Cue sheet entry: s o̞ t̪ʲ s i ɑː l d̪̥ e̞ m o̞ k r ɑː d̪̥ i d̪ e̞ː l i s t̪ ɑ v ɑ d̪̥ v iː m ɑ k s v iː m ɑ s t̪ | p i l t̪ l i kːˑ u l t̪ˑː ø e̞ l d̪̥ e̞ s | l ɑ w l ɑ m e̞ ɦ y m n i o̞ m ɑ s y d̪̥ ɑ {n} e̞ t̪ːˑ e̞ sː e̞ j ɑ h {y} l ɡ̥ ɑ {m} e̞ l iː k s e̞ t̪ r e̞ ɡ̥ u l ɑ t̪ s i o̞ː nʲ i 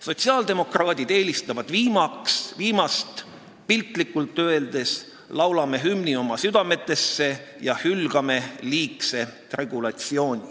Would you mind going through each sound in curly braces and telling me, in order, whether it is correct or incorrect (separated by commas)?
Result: incorrect, correct, correct